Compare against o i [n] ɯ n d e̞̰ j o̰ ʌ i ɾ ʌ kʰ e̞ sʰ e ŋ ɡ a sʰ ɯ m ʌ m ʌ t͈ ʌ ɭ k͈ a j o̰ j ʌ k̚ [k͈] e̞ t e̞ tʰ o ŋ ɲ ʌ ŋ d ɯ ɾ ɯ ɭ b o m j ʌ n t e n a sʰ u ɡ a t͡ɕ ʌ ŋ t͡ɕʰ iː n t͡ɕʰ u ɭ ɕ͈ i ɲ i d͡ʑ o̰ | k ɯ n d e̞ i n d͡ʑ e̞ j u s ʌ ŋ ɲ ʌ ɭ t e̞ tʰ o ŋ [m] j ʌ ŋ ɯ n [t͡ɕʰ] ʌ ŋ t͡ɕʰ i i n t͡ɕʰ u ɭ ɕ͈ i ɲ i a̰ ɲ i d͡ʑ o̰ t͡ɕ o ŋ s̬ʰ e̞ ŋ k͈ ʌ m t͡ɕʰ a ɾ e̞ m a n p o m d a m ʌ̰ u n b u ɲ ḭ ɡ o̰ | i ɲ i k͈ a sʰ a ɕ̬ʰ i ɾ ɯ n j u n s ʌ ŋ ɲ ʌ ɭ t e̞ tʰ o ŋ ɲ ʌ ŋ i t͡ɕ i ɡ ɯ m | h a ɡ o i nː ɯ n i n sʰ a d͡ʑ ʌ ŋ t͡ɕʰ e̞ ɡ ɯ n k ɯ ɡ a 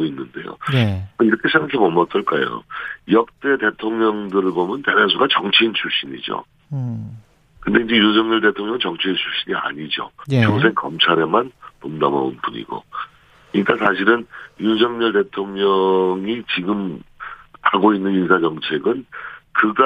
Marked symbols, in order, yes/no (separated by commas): no, no, no, no